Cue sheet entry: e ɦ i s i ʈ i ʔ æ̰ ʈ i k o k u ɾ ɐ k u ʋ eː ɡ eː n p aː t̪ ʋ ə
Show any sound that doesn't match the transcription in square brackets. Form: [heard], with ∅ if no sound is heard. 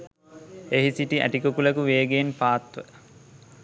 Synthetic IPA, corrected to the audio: e ɦ i s i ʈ i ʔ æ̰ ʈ i k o k u [l] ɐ k u ʋ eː ɡ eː n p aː t̪ ʋ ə